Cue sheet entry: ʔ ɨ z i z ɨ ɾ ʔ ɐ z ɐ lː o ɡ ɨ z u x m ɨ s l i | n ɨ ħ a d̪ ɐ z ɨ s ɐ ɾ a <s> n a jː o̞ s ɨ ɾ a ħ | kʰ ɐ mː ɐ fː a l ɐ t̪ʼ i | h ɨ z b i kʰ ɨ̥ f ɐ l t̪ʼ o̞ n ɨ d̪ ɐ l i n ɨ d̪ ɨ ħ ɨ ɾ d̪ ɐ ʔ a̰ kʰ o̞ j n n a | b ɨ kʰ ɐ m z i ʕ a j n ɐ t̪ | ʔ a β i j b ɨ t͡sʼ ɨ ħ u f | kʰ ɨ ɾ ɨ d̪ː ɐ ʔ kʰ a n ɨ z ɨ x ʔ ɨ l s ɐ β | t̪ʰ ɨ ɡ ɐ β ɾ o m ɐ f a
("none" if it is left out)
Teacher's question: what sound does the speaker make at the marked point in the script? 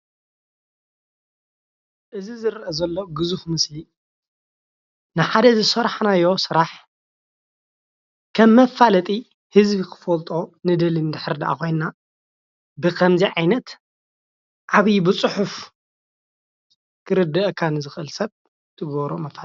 ħ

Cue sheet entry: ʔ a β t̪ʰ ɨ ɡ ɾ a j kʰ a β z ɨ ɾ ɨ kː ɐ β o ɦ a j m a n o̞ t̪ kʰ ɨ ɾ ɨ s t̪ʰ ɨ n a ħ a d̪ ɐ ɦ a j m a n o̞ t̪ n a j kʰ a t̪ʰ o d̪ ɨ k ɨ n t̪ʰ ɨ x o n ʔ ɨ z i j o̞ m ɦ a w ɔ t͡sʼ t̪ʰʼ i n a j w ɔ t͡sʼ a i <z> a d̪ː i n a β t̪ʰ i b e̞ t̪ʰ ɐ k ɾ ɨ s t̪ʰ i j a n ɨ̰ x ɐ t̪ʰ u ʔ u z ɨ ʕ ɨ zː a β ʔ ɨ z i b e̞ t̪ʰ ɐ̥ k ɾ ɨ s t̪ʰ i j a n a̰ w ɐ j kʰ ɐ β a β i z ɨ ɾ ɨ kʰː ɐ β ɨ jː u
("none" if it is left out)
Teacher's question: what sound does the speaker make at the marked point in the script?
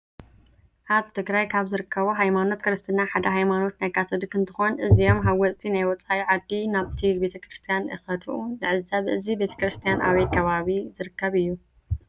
ʕ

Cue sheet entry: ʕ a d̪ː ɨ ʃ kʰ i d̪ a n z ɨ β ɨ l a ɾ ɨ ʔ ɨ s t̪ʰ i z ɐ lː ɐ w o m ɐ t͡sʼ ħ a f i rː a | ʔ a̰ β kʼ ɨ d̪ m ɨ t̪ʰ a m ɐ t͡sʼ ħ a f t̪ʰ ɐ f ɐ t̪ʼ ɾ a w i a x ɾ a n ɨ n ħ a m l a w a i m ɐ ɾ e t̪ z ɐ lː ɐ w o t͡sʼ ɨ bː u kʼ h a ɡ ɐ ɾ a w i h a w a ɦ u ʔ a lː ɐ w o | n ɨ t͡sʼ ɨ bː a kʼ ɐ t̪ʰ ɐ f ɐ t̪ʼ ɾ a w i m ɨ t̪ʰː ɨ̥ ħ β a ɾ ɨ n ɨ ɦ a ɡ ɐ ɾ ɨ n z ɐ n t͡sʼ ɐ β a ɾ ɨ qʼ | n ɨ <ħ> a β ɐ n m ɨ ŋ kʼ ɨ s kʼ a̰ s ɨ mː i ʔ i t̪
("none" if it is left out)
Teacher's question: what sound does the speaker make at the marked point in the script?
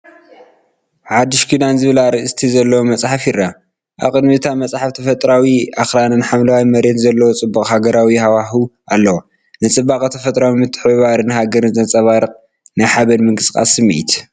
ħ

